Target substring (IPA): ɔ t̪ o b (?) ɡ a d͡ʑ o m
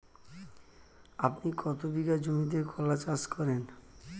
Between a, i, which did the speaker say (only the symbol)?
i